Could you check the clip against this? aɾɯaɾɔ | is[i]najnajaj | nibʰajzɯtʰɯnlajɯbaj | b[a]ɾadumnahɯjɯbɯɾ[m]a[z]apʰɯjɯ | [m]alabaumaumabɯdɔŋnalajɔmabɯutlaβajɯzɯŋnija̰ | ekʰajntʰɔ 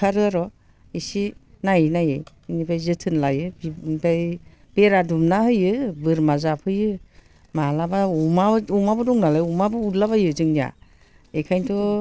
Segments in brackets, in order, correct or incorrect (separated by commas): correct, incorrect, correct, correct, correct